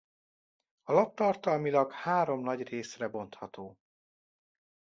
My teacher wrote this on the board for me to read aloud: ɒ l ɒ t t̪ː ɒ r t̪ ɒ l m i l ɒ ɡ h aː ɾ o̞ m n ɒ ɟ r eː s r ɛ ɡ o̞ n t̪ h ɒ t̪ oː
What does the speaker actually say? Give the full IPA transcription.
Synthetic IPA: ɒ l ɒ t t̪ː ɒ r t̪ ɒ l m i l ɒ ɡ h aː ɾ o̞ m n ɒ ɟ r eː s r ɛ b o̞ n t̪ h ɒ t̪ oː